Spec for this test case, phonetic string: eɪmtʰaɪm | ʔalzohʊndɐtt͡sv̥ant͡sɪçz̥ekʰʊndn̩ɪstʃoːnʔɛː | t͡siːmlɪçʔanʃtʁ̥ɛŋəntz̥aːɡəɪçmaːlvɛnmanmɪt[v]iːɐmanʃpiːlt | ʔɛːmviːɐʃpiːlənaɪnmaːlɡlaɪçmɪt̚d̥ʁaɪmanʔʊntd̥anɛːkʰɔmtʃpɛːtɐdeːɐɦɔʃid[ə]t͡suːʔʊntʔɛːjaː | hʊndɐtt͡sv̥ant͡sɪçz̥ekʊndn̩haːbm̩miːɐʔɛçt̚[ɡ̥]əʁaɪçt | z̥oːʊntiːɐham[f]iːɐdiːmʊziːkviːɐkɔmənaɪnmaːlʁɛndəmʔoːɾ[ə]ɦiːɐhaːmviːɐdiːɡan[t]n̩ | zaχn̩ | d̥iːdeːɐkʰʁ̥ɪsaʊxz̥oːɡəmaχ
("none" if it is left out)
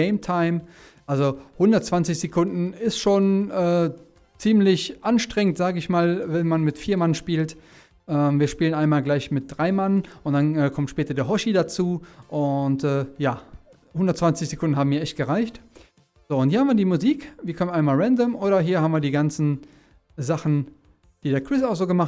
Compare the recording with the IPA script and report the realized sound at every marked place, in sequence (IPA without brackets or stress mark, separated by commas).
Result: f, a, ɡ̥, v, ɐ, t͡s